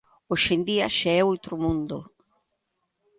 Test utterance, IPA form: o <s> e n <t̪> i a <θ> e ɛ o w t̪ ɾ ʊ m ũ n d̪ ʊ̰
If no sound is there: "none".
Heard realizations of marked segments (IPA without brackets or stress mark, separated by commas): ʃ, d̪, ʃ